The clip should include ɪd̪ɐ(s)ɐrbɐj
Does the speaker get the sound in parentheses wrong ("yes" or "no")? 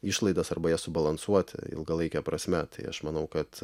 no